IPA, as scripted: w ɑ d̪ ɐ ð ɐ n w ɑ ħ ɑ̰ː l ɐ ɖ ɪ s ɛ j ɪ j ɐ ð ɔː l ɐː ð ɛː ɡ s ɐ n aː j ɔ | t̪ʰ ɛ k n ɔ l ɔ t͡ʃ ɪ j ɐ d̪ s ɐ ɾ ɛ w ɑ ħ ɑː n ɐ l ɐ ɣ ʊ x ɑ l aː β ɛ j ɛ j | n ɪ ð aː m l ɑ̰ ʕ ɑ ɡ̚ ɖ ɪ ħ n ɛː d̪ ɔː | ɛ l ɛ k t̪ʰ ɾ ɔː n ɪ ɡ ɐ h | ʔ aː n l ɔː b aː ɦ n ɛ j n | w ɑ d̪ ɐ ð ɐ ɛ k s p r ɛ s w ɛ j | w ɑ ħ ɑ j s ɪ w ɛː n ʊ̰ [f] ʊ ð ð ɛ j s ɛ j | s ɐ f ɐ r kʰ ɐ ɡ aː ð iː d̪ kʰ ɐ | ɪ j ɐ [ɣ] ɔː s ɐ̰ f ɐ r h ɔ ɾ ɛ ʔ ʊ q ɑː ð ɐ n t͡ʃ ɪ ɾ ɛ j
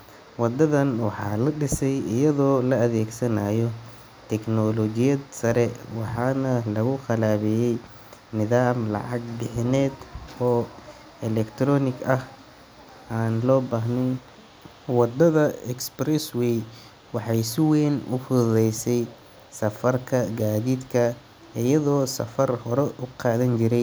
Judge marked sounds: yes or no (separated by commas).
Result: yes, no